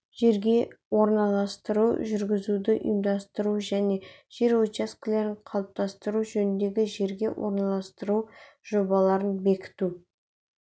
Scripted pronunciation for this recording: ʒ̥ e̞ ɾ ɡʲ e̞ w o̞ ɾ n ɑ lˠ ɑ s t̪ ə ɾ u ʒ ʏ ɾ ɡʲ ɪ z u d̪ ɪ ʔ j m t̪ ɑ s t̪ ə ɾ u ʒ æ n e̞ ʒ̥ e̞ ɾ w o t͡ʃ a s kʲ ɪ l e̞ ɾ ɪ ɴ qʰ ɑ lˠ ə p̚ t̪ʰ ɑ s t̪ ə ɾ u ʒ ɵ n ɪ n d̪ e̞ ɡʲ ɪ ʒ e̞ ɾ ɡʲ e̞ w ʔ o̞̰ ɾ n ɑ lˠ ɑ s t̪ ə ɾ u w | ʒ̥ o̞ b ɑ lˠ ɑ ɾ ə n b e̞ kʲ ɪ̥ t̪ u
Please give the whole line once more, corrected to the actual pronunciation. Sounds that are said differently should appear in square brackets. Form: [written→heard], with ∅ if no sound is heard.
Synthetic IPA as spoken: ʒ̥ e̞ ɾ ɡʲ e̞ w o̞ ɾ n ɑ lˠ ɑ s t̪ ə ɾ u ʒ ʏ ɾ ɡʲ ɪ z u d̪ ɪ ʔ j m [t̪→d̪] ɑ s t̪ ə ɾ u ʒ æ n e̞ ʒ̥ e̞ ɾ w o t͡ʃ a s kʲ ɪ l e̞ ɾ ɪ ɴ qʰ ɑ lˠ ə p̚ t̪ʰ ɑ s t̪ ə ɾ u ʒ ɵ n ɪ n d̪ e̞ ɡʲ ɪ ʒ e̞ ɾ ɡʲ e̞ w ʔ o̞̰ ɾ n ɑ lˠ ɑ s t̪ ə ɾ u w | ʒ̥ o̞ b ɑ lˠ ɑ ɾ ə n b e̞ kʲ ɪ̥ t̪ u